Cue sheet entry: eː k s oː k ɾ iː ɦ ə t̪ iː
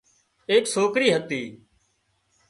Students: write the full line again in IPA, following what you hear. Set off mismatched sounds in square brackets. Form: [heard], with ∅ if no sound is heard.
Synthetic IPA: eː k s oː k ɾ iː ɦ ə t̪ iː